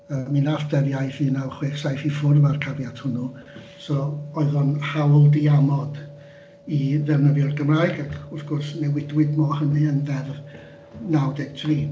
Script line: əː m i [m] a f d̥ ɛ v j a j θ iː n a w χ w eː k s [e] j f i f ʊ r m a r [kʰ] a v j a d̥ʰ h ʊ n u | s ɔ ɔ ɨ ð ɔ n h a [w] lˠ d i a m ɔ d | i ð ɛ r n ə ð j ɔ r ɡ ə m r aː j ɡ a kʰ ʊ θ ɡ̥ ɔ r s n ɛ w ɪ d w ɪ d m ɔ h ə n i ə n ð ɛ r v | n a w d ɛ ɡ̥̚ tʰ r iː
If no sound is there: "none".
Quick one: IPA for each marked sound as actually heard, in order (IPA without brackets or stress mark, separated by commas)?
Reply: n, a, kʰ, w